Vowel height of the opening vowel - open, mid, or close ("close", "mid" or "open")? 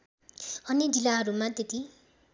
mid